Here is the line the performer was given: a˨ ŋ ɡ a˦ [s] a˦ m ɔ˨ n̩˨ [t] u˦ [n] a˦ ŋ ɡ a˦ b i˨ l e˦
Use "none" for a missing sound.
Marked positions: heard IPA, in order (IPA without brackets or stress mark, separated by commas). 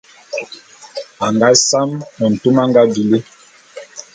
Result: s, t, m